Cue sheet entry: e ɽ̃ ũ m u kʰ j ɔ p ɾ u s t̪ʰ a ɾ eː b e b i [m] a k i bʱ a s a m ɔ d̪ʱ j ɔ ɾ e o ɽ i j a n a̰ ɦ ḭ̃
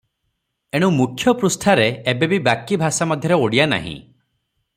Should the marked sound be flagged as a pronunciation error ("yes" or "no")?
yes